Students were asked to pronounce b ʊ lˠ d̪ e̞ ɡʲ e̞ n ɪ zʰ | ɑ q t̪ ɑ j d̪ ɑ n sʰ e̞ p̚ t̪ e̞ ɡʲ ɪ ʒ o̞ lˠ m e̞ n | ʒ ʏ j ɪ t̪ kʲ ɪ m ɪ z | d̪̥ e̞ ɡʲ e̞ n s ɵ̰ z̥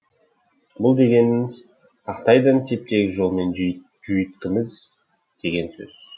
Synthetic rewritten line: b ʊ lˠ d̪ e̞ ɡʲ e̞ n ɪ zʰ | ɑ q t̪ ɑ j d̪ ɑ n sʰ e̞ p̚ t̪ e̞ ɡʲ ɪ ʒ o̞ lˠ m e̞ n | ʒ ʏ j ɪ t̪ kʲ ɪ m ɪ z | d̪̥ e̞ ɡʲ e̞ n s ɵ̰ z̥